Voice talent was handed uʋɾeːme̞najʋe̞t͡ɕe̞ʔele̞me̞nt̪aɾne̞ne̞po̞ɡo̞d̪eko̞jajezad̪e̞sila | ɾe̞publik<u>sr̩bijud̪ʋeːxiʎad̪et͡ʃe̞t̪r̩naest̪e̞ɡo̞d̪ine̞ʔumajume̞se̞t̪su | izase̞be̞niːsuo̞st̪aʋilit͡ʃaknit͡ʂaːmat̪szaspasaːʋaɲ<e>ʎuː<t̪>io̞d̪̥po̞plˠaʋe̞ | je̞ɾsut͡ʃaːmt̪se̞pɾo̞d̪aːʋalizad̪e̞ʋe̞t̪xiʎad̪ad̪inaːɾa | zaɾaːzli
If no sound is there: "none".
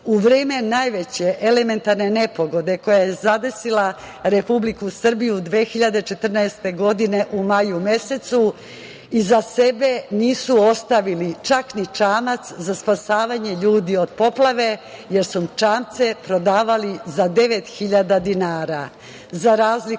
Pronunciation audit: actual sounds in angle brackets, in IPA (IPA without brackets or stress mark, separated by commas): u, e, d̪